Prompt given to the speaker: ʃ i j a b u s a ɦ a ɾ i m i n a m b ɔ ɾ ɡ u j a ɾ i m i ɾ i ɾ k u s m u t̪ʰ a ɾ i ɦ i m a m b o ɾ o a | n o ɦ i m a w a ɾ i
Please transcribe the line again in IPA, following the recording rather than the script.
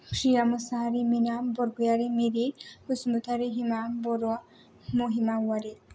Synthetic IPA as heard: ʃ i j a m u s a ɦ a ɾ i m i n a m b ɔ ɾ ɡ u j a ɾ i m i ɾ i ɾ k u s m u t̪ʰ a ɾ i ɦ i m a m b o ɾ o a | m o ɦ i m a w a ɾ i

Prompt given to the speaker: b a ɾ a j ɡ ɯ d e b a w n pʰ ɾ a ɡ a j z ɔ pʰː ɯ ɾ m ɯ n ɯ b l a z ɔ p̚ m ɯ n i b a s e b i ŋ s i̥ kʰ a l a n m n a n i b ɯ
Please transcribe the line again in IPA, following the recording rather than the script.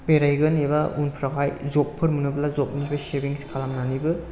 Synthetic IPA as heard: b e ɾ a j ɡ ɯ n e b a u n pʰ ɾ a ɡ a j z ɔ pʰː ɯ ɾ m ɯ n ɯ b l a z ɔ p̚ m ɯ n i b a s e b i ŋ s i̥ kʰ a l a m n a n i b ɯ

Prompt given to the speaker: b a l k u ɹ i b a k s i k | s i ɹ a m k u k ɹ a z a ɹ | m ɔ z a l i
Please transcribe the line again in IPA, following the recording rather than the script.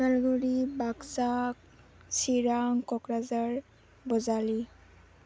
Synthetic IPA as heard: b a l ɡ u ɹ i b a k s a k | s i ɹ a ŋ k ɔ k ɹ a z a ɹ | b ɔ z a l i

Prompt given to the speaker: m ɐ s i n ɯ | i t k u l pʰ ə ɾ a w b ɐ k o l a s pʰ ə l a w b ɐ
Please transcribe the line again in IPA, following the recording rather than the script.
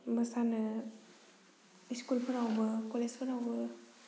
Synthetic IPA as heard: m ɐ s a n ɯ | i s k u l pʰ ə ɾ a w b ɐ k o l e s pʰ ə ɾ a w b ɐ

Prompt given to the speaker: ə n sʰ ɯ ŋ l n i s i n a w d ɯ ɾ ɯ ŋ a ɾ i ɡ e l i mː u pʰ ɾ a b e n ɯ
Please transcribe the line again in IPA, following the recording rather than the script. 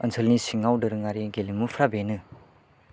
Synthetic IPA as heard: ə n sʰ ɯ l n i s i ŋ a w d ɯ ɾ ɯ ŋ a ɾ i ɡ e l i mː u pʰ ɾ a b e n ɯ

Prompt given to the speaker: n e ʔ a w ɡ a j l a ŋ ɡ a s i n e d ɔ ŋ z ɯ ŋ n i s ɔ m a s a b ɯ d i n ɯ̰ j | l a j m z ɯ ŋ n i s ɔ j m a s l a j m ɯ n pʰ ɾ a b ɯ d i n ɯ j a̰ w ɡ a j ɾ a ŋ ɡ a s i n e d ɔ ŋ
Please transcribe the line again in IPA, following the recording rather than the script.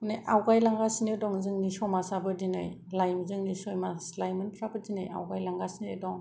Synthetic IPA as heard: n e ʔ a w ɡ a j l a ŋ ɡ a s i n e d ɔ ŋ z ɯ ŋ n i s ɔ m a s a b ɯ d i n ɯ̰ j | l a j m z ɯ ŋ n i s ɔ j m a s l a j m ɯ n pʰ ɾ a b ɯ d i n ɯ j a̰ w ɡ a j l a ŋ ɡ a s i n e d ɔ ŋ

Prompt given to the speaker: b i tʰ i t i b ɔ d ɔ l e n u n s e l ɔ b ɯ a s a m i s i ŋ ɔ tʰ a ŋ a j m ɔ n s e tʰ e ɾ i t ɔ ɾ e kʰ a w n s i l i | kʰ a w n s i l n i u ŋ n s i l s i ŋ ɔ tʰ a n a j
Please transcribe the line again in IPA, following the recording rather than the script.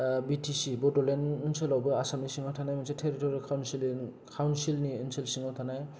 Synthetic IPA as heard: b i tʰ i s i b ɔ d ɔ l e n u n s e l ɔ b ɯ a s a m i s i ŋ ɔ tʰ a n a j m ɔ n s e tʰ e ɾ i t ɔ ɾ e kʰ a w n s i l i | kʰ a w n s i l n i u n s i l s i ŋ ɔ tʰ a n a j

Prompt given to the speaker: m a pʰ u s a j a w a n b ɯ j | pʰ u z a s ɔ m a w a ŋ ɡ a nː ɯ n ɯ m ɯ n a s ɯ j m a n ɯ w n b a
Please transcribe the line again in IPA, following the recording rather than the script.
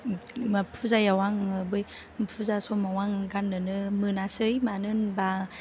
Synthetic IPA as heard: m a pʰ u z a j a w a ŋ b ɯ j | pʰ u z a s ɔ m a w a ŋ ɡ a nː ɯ n ɯ m ɯ n a s ɯ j m a n ɯ n b a

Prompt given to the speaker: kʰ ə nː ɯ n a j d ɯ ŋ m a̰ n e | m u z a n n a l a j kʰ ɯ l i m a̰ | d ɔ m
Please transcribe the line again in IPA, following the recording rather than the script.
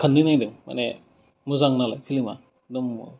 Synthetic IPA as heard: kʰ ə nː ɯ n a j d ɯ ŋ m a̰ n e | m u z a ŋ n a l a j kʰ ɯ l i m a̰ | d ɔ m

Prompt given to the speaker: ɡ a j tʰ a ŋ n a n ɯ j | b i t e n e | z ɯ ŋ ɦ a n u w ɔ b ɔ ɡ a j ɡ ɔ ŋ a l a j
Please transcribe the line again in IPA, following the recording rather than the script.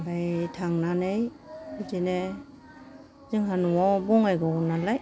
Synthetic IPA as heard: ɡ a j tʰ a ŋ n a n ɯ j | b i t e n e | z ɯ ŋ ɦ a n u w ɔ b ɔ ŋ a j ɡ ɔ n a l a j

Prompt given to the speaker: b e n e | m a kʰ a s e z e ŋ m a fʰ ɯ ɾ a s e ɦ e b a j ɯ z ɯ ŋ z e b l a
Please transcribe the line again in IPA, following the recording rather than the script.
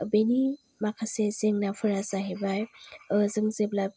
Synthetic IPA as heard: b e n i | m a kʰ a s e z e ŋ n a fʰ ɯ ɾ a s a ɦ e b a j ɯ z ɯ ŋ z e b l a

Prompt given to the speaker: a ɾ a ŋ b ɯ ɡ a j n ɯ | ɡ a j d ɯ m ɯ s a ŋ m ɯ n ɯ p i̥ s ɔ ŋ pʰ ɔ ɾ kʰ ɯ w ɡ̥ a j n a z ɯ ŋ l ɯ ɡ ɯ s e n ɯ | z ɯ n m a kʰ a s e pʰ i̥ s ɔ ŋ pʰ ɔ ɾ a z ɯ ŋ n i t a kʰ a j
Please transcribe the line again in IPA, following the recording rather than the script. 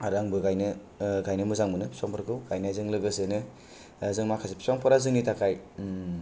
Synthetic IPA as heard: a ɾ a ŋ b ɯ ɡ a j n ɯ | ɡ a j n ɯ m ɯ z a ŋ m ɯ n ɯ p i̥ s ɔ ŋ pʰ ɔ ɾ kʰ ɯ w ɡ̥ a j n a z ɯ ŋ l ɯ ɡ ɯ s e n ɯ | z ɯ ŋ m a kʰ a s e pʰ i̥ s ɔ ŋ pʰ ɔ ɾ a z ɯ ŋ n i t a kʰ a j

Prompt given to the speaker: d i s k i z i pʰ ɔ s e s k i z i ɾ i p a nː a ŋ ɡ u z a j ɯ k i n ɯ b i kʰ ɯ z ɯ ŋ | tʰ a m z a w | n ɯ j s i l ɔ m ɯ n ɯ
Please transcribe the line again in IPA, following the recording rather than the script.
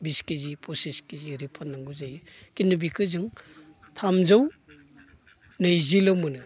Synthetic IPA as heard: b i s k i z i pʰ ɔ s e s k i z i ɾ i pʰ a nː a ŋ ɡ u z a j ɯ k i n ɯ b i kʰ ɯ z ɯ ŋ | tʰ a m z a w | n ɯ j z i l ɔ m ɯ n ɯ

